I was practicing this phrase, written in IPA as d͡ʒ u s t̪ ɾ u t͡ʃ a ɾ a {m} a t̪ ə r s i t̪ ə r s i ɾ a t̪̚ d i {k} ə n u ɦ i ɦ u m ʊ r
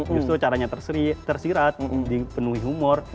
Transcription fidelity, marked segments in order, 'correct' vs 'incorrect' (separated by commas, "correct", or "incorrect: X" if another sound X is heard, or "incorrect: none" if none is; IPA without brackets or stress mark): incorrect: ɲ, incorrect: p